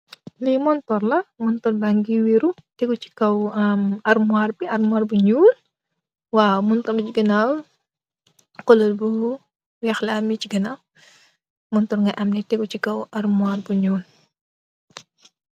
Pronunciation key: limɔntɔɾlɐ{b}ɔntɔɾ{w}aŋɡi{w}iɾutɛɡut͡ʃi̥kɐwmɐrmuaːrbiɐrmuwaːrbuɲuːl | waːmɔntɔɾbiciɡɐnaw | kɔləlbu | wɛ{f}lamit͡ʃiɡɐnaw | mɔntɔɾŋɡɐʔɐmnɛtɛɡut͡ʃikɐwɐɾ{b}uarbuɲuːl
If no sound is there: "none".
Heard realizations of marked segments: m, b, w, x, m

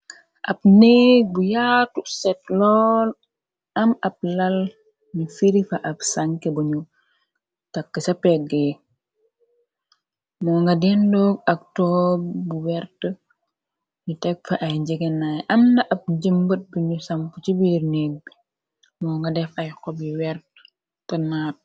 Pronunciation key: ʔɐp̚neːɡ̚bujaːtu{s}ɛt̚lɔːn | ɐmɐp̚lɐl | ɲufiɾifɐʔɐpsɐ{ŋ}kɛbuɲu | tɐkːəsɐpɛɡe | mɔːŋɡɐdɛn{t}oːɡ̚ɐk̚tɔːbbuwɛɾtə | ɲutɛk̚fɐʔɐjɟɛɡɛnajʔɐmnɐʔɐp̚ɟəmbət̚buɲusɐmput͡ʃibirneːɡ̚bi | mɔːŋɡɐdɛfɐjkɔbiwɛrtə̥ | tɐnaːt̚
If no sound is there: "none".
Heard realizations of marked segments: s, ŋ, d

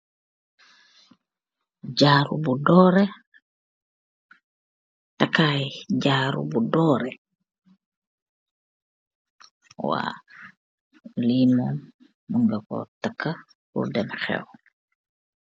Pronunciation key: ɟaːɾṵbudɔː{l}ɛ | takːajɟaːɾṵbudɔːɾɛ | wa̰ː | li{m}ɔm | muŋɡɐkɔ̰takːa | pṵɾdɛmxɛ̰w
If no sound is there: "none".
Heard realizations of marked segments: ɾ, m

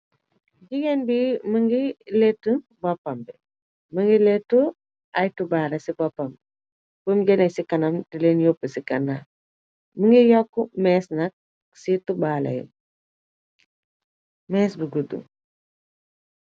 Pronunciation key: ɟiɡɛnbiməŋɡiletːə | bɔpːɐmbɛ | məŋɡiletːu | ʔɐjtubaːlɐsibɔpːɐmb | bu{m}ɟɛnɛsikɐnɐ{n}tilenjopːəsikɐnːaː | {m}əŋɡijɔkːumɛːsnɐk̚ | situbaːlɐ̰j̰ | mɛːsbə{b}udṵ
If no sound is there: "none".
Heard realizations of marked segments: m, m, m, ɡ

